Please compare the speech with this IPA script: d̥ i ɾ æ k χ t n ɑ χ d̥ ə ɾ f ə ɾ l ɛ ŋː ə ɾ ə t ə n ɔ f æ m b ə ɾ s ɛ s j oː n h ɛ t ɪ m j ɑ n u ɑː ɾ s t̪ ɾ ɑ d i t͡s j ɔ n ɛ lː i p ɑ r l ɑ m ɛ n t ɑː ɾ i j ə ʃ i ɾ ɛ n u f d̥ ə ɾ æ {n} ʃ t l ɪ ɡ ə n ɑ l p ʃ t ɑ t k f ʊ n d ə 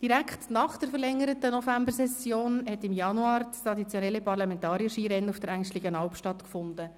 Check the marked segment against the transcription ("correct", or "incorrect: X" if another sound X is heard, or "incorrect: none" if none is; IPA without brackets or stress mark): incorrect: ŋ